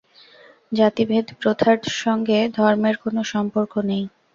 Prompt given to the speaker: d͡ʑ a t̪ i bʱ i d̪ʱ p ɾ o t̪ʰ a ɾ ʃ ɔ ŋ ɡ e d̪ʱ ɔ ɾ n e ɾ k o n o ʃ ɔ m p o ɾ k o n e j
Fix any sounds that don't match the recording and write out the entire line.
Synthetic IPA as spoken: d͡ʑ a t̪ i bʱ e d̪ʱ p ɾ o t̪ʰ a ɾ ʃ ɔ ŋ ɡ e d̪ʱ ɔ ɾ m e ɾ k o n o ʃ ɔ m p o ɾ k o n e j